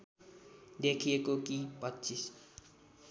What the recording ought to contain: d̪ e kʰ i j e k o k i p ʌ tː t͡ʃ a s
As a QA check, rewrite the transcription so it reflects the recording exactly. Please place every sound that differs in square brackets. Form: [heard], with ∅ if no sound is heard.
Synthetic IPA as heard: d̪ e kʰ i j e k o k i p ʌ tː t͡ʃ [i] s